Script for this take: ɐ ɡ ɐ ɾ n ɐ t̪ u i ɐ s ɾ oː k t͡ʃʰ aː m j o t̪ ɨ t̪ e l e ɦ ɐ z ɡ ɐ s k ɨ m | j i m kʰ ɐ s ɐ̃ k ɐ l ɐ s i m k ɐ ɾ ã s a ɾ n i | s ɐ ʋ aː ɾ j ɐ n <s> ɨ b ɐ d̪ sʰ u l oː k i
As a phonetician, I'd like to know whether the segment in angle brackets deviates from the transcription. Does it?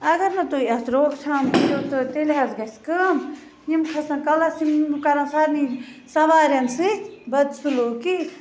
no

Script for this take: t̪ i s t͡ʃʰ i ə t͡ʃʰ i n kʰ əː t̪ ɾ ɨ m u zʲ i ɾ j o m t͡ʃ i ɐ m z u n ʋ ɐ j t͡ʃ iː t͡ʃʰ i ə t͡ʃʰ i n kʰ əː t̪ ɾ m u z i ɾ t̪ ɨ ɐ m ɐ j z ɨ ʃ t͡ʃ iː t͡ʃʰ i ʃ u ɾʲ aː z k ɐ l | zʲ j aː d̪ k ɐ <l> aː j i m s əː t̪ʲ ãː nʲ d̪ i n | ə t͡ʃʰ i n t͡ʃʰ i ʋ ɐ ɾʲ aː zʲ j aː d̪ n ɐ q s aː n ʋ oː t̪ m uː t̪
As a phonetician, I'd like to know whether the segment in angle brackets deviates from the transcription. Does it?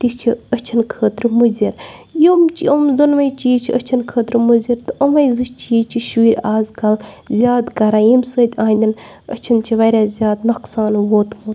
yes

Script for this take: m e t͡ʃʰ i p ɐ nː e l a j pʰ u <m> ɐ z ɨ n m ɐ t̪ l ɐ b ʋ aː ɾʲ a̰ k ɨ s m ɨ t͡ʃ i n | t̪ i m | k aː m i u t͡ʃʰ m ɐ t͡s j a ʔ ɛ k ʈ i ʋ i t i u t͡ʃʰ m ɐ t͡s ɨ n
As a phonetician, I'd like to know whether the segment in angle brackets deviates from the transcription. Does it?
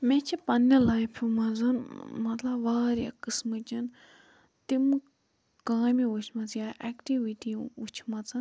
no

